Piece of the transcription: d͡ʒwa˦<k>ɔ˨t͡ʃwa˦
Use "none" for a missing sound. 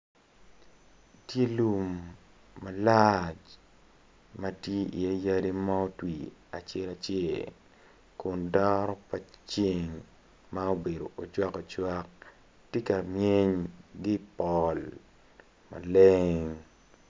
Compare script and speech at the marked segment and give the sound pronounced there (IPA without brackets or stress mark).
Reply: k